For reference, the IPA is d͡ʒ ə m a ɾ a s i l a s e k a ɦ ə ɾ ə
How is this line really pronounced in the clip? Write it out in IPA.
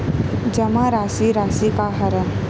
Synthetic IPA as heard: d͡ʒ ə m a ɾ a s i ɾ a s i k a ɦ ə ɾ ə